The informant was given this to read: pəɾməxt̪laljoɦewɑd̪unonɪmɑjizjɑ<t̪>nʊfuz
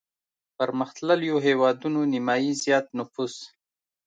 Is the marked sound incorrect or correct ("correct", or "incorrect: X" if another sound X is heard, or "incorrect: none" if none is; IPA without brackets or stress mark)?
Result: correct